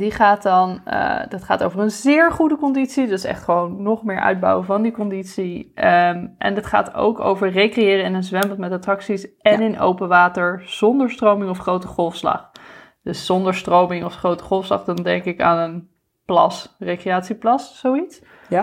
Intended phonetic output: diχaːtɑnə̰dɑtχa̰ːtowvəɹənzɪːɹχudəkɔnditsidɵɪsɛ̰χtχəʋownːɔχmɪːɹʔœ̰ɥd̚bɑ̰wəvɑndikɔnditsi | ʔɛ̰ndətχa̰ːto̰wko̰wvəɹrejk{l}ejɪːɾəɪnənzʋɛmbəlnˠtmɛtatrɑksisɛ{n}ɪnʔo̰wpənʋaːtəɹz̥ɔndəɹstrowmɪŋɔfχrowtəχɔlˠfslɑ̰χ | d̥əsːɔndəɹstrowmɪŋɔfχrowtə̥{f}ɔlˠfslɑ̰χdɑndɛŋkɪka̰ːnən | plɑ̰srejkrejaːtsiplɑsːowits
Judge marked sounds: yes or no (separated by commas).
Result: no, yes, no